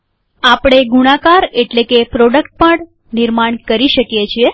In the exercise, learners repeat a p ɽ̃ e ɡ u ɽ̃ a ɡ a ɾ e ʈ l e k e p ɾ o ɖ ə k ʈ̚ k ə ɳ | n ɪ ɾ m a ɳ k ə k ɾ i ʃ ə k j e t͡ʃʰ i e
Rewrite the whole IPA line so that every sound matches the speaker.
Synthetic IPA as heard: a p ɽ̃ e ɡ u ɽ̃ a k a ɾ e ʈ l e k e p ɾ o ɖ ə k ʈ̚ p ə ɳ | n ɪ ɾ m a ɳ k ə ɾ i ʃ ə k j e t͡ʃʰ i e

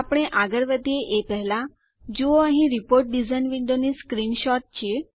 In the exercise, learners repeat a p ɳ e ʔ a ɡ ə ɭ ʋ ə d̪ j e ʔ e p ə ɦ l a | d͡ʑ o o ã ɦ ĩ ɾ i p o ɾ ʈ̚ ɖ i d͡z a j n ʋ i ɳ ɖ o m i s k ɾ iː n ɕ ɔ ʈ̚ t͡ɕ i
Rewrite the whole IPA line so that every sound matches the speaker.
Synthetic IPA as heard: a p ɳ e ʔ a ɡ ə ɾ ʋ ə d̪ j e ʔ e p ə ɦ l a | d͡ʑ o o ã ɦ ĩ ɾ i p o ɾ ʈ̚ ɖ i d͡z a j n ʋ i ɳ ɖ o n i s k ɾ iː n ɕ ɔ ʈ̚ t͡ɕ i

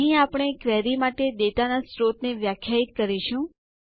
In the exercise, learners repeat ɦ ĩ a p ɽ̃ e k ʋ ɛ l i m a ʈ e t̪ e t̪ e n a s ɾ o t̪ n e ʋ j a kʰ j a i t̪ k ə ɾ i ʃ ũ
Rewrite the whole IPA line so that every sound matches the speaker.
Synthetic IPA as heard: ɦ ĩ a p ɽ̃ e k ʋ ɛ ɾ i m a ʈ e d̪ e t̪ a n a s ɾ o t̪ n e ʋ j a kʰ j a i t̪ k ə ɾ i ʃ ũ

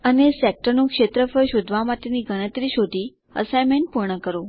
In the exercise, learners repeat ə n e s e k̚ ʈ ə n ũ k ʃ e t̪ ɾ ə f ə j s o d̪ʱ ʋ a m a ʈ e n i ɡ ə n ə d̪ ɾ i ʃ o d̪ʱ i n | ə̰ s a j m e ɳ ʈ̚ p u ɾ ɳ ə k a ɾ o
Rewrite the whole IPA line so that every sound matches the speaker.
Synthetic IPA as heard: ə n e s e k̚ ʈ ə n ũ k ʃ e t̪ ɾ ə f ə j ʃ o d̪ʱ ʋ a m a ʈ e n i ɡ ə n ə t̪ ɾ i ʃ o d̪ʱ i | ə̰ s a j m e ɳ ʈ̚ p u ɾ ɳ ə k ə ɾ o

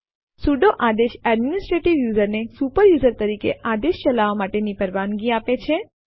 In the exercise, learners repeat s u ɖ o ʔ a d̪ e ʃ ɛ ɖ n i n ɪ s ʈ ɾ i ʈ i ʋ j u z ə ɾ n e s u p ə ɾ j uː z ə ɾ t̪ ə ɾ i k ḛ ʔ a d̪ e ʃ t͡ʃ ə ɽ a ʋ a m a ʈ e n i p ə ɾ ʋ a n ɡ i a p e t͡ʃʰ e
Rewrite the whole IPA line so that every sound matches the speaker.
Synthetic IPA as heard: s u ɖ o ʔ a d̪ e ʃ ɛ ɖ m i n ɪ s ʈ ɾ e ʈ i ʋ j u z ə ɾ n e s u p ə ɾ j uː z ə ɾ t̪ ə ɾ i k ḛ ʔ a d̪ e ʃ t͡ʃ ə l a ʋ a m a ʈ e n i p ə ɾ ʋ a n ɡ i a p e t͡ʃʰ e

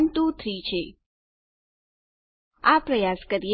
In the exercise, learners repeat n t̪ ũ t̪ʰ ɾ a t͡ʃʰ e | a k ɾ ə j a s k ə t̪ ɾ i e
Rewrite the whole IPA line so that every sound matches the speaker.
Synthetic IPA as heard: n t̪ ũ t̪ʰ ɾ i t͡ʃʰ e | a p ɾ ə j a s k ə ɾ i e

